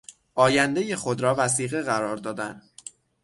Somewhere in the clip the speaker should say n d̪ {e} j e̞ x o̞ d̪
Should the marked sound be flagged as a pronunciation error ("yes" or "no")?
no